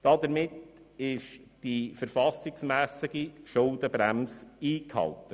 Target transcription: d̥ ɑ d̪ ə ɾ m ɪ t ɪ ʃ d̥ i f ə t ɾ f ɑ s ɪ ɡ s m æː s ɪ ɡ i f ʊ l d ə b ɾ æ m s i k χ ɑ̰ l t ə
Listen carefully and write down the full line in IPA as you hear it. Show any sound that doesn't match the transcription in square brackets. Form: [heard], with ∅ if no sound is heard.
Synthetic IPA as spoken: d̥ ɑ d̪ ə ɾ m ɪ t ɪ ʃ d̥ i f ə [∅] ɾ f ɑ s ɪ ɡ s m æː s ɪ ɡ i [ʃ] ʊ l d ə b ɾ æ m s [iː] k [h] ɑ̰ l t ə